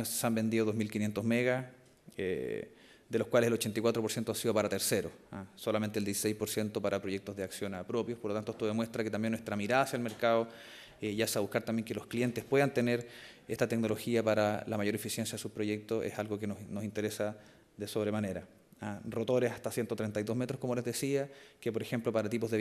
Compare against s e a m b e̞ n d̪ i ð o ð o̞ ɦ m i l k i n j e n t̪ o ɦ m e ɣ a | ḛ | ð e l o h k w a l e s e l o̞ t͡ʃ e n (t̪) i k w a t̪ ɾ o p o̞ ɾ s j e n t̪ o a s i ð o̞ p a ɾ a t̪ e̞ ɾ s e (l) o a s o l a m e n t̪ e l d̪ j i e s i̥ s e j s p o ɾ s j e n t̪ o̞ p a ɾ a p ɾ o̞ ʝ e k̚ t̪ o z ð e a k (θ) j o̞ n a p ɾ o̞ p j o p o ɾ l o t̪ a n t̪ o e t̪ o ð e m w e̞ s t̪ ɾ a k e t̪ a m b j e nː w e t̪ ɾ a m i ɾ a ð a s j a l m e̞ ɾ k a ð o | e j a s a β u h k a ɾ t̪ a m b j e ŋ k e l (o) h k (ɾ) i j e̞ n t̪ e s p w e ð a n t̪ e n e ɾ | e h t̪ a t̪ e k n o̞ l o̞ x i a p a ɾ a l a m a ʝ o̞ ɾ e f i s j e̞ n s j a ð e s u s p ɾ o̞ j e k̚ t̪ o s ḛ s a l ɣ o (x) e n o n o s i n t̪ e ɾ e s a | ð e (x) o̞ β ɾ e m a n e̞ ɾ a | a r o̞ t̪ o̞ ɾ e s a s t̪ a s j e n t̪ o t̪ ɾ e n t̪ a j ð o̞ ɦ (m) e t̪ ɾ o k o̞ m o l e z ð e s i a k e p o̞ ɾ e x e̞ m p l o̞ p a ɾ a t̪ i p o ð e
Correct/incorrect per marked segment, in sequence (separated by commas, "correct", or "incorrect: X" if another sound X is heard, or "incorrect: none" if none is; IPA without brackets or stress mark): correct, incorrect: ɾ, incorrect: s, correct, incorrect: l, incorrect: k, incorrect: s, correct